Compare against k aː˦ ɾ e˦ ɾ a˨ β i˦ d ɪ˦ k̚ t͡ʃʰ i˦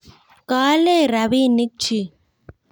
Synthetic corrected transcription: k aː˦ l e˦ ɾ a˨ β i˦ n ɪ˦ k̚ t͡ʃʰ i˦